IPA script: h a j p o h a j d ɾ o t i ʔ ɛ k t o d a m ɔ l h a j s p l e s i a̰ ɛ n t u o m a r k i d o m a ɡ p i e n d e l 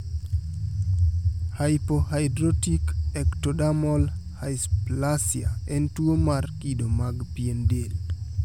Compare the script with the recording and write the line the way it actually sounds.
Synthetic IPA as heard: h a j p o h a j d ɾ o t i k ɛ k t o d a m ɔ l h a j s p l a s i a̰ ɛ n t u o m a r k i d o m a ɡ p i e n d e l